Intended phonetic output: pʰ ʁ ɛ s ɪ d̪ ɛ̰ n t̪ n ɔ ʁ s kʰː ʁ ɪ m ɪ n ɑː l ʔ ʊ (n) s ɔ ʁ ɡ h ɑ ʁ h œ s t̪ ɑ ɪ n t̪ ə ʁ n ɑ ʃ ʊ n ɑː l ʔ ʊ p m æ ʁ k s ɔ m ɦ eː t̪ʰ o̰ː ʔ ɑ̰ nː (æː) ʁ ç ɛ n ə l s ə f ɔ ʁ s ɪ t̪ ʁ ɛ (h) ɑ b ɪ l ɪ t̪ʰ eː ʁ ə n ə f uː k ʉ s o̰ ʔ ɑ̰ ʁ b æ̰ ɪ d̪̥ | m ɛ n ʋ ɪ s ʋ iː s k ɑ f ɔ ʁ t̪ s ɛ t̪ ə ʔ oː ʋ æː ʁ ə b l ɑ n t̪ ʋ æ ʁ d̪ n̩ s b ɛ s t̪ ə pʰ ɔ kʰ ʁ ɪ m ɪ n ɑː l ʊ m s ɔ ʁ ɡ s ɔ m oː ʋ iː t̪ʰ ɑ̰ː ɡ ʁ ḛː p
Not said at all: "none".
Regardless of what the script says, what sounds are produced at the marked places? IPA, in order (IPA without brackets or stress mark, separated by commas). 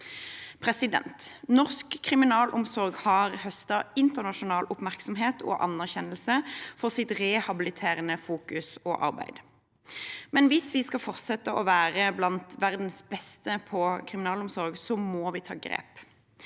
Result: m, æ, h